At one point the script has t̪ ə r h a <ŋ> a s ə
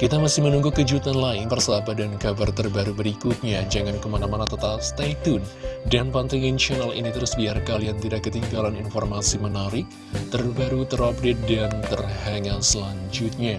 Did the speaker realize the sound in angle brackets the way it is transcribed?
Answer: yes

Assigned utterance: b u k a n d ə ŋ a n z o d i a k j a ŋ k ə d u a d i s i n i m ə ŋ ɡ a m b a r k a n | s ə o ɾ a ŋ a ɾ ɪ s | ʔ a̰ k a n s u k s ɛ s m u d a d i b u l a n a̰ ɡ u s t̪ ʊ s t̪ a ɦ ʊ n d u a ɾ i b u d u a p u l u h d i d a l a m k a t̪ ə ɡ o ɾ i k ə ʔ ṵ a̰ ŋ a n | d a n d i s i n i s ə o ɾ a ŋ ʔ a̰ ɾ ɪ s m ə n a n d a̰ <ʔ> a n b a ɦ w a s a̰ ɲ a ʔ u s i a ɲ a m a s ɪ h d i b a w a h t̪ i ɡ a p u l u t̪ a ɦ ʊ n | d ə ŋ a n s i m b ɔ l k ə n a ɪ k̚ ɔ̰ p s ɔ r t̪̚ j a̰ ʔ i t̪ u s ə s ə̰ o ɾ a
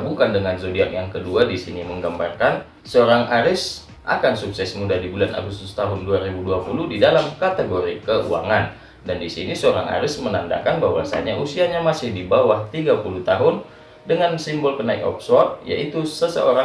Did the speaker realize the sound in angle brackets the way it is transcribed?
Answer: no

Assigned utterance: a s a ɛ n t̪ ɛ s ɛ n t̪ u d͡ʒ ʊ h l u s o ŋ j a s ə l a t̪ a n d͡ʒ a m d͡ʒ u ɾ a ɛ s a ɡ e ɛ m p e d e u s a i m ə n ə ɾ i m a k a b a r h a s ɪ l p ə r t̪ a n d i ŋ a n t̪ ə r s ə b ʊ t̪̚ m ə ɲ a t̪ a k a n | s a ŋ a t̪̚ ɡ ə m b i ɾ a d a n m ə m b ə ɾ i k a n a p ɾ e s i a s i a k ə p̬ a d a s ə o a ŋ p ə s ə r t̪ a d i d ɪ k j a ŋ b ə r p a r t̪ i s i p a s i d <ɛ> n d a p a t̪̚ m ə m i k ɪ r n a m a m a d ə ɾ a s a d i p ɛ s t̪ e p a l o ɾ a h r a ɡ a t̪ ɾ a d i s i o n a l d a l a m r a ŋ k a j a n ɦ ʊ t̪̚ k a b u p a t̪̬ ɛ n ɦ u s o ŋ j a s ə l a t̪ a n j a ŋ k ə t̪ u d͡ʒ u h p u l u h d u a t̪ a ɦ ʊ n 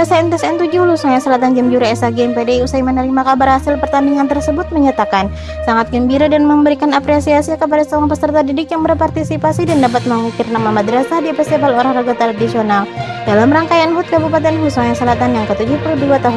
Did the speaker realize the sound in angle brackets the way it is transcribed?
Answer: no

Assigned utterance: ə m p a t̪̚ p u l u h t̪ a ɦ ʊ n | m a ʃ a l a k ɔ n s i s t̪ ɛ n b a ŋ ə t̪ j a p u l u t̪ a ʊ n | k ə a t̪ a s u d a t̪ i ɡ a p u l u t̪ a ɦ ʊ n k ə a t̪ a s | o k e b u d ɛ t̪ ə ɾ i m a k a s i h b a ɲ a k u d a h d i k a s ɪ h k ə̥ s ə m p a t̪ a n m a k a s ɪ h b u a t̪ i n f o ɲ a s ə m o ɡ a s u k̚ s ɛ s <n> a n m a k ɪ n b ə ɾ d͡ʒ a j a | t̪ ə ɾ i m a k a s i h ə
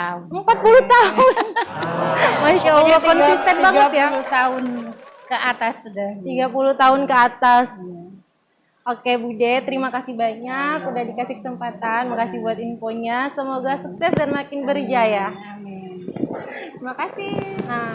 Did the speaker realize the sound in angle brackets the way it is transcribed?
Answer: no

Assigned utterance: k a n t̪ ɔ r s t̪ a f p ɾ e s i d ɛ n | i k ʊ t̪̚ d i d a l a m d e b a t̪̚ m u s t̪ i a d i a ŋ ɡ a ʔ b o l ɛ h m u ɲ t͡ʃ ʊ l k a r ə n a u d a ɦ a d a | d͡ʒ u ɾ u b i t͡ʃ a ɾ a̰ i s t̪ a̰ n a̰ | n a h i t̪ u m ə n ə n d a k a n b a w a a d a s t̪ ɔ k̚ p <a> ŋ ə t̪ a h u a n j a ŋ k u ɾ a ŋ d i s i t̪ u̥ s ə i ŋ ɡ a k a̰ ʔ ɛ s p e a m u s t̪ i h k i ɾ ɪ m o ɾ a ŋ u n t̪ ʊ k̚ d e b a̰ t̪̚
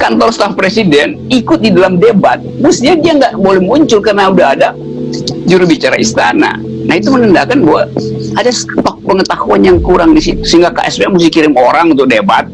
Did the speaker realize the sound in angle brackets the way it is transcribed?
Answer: no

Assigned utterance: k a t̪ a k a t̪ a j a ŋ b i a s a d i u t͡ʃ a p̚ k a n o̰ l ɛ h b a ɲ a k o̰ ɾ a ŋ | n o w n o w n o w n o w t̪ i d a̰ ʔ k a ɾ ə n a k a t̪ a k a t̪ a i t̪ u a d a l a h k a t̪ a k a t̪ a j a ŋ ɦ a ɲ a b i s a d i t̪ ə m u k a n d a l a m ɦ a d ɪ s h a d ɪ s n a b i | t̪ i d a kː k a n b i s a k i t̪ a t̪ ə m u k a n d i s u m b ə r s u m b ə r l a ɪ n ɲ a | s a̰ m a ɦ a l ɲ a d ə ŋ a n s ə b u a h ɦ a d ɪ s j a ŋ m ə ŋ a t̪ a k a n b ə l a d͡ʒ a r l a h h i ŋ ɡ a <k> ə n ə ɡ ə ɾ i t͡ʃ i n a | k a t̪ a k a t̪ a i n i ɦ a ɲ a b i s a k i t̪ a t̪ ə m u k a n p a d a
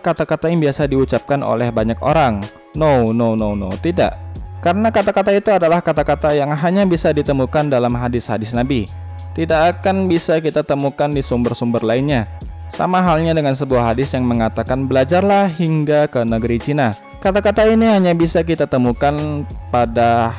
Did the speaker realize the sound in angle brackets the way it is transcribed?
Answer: yes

